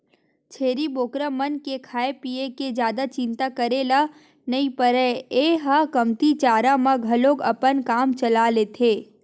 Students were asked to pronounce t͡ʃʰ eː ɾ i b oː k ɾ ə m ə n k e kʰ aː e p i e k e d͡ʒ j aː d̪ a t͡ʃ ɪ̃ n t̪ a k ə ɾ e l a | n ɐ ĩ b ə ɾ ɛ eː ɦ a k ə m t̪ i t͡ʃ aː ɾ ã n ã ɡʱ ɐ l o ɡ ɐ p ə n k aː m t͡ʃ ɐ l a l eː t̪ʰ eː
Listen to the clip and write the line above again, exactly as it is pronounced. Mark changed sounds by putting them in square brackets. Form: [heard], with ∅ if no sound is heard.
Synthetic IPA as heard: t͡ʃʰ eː ɾ i b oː k ɾ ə m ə n k e kʰ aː e p i e k e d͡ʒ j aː d̪ a t͡ʃ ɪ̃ n t̪ a k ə ɾ e l a | n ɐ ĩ [p] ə ɾ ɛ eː ɦ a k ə m t̪ i t͡ʃ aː ɾ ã [m] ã ɡʱ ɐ l o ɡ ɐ p ə n k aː m t͡ʃ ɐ l a l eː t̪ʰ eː